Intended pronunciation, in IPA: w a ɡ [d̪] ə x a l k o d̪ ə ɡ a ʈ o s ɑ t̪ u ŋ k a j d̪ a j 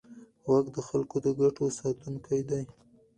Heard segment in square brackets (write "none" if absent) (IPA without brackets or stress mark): d̪